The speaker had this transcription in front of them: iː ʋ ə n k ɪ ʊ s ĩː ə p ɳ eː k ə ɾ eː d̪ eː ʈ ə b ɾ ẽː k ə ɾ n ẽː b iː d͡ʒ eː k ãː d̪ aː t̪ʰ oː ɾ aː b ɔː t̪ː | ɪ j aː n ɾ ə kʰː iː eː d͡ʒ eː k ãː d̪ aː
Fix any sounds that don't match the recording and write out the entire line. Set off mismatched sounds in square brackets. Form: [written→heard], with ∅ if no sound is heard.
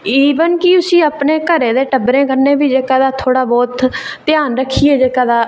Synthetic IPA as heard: iː ʋ ə n k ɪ ʊ s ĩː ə p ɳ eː k ə ɾ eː d̪ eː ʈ ə b ɾ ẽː k ə ɾ n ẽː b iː d͡ʒ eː k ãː d̪ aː t̪ʰ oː [ɾ→ɽ] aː b ɔː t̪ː | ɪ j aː n ɾ ə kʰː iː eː d͡ʒ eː k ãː d̪ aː